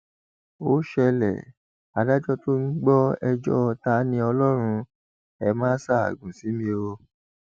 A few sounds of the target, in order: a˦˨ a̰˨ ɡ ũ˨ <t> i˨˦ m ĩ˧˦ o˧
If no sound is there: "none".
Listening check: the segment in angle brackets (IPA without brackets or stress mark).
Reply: s